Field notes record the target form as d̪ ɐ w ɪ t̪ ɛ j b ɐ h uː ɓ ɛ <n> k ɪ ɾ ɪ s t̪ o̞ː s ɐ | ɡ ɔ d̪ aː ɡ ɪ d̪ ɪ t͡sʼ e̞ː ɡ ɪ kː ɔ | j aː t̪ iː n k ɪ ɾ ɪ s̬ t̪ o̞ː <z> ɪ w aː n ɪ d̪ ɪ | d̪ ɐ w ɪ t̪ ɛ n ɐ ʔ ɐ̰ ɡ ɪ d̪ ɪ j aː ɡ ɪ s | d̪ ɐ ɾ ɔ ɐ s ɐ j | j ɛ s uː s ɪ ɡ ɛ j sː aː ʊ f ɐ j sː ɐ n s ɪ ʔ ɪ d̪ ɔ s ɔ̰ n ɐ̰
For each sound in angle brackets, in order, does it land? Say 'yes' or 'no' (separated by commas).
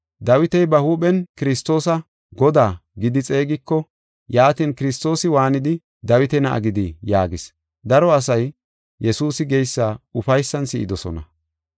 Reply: yes, no